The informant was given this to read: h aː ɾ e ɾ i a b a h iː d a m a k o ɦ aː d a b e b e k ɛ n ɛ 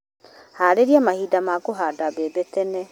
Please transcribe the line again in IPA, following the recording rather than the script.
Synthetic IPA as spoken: h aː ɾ e ɾ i a m a h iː d a m a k o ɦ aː d a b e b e t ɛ n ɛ